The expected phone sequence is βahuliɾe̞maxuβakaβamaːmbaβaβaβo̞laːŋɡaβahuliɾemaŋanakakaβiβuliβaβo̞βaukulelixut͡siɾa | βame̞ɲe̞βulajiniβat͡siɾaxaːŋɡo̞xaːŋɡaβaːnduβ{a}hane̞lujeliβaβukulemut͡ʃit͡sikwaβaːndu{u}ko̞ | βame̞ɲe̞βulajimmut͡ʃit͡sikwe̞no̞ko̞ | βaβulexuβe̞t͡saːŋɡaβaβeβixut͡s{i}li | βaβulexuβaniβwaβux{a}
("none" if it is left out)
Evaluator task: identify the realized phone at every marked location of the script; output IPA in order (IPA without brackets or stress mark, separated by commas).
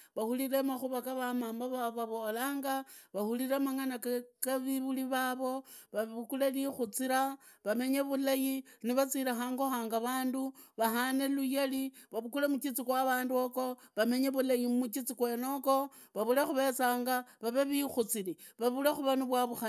a, o, i, a